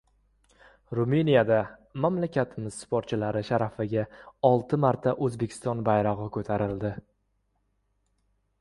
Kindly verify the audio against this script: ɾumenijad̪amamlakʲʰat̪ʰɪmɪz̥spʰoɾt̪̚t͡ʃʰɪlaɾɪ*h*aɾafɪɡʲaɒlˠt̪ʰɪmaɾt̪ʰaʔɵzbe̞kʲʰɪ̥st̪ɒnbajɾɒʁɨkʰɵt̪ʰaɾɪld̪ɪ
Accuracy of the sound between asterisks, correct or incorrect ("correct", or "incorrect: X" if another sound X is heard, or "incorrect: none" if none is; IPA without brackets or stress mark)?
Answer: incorrect: ʃ